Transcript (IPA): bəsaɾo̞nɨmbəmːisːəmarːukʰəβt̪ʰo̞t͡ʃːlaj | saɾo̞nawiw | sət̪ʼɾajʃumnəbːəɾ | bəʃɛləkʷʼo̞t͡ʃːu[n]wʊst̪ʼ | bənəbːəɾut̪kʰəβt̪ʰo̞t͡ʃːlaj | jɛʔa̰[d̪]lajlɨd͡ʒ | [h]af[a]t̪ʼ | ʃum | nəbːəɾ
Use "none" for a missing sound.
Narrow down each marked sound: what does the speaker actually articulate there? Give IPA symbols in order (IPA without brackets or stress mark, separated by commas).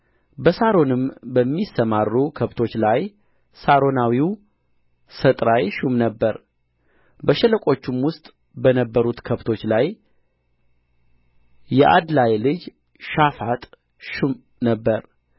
m, d̪, ʃ, a